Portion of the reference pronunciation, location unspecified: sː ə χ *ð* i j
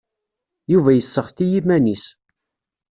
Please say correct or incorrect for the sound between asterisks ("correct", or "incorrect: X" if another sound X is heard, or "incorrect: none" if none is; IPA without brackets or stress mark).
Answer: incorrect: θ